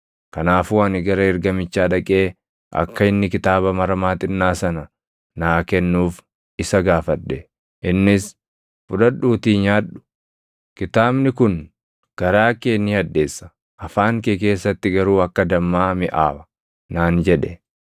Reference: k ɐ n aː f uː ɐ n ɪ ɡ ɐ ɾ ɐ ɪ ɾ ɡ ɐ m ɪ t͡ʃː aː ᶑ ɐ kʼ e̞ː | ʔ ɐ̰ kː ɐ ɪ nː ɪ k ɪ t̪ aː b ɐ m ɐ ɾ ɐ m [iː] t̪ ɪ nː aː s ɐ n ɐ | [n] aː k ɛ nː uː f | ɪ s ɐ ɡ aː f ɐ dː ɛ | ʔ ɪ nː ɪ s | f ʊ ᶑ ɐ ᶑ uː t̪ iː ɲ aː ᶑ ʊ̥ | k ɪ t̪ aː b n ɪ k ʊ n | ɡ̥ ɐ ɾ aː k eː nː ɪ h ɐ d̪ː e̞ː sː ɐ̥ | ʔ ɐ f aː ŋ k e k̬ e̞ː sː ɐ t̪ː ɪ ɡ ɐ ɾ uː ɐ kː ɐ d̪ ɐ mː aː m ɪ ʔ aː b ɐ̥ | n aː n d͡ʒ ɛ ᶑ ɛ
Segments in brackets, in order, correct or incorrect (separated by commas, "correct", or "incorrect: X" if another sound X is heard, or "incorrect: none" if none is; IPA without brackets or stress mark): incorrect: aː, correct